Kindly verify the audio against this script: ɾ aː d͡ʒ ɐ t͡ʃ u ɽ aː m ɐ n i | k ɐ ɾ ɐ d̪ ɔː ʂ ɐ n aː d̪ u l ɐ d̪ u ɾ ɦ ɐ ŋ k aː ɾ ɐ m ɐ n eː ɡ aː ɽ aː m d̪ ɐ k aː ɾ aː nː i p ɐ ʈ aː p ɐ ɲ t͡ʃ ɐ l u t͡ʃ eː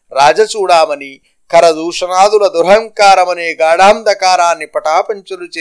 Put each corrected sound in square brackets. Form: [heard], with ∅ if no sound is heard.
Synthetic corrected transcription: ɾ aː d͡ʒ ɐ t͡ʃ [uː] ɽ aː m ɐ n i | k ɐ ɾ ɐ d̪ [uː] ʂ ɐ n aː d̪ u l ɐ d̪ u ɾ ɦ ɐ ŋ k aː ɾ ɐ m ɐ n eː ɡ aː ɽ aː m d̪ ɐ k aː ɾ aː nː i p ɐ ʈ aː p ɐ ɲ t͡ʃ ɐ l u t͡ʃ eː